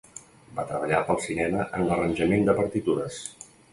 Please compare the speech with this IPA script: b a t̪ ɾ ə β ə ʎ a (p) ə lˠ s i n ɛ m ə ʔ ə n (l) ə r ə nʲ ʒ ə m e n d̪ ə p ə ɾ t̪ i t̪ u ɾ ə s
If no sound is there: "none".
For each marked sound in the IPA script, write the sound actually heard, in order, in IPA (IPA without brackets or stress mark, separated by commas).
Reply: p, l